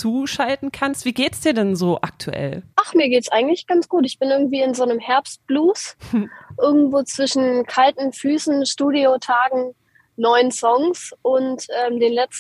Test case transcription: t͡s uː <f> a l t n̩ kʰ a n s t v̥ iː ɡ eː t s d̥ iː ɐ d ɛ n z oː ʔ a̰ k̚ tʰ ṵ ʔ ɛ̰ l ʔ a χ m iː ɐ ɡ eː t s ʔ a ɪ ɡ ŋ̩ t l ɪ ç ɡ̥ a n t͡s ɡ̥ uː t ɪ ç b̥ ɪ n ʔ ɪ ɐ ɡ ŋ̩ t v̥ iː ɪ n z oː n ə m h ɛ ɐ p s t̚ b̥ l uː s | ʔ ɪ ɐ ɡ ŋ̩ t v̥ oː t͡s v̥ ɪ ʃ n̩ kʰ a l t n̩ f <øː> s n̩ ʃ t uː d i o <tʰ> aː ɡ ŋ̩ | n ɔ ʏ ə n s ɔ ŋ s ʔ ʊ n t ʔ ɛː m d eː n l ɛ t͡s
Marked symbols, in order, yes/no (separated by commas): no, no, yes